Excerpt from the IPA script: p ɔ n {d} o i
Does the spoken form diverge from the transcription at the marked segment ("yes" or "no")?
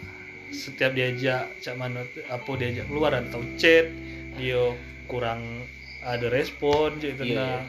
yes